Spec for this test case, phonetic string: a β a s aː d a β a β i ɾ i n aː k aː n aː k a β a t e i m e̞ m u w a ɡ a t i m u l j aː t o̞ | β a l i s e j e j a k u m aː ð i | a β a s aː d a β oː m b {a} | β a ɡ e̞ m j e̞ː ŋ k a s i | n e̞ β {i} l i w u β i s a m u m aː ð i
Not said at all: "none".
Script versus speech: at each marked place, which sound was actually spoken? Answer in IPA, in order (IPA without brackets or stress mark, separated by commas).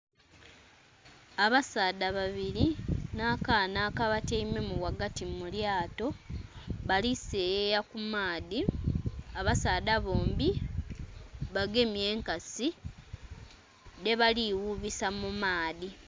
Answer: i, a